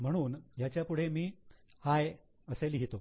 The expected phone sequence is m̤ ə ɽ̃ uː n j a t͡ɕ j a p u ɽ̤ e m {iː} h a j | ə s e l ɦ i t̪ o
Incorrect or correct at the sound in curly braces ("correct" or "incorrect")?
correct